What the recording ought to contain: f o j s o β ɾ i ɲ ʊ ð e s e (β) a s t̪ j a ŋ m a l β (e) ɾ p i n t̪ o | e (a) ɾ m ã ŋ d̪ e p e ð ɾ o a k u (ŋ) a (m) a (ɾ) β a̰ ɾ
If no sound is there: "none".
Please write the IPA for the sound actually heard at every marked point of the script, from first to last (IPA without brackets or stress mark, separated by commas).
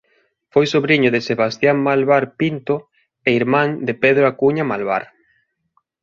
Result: β, a, i, ɲ, m, l